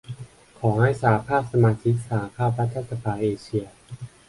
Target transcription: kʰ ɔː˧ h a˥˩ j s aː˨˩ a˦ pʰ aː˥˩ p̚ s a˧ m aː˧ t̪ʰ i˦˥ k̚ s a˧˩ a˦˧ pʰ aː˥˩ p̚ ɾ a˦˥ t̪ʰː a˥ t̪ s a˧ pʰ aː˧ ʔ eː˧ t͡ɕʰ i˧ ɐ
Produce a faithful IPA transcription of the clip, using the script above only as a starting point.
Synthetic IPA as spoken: kʰ ɔː˩˦ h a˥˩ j s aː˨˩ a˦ pʰ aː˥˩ p̚ s a˧ m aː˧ t̪ʰ i˦˥ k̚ s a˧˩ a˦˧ pʰ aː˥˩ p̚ ɾ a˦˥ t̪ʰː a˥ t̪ s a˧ pʰ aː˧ ʔ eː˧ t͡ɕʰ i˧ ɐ